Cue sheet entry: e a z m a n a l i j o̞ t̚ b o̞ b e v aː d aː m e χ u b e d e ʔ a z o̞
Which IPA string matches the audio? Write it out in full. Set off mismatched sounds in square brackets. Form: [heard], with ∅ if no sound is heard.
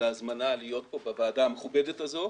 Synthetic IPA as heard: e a z m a n a l i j o̞ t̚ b o̞ b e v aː d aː m e χ u b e d e [t] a z o̞